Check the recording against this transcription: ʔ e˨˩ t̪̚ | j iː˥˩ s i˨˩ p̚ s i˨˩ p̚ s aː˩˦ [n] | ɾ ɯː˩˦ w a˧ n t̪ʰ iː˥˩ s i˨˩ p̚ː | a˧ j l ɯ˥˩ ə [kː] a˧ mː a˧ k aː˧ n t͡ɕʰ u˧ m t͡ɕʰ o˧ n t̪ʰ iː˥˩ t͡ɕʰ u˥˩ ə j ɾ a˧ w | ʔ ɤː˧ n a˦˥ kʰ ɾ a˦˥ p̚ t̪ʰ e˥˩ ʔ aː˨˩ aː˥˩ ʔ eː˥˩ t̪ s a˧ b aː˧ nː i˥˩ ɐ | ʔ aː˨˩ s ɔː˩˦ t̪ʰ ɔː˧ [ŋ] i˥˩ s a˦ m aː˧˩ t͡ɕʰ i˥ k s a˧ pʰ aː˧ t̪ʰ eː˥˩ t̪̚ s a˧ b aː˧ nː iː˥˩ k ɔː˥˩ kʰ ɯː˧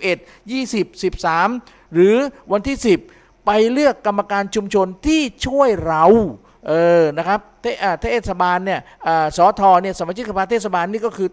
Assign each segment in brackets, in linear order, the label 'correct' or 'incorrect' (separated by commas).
incorrect, correct, incorrect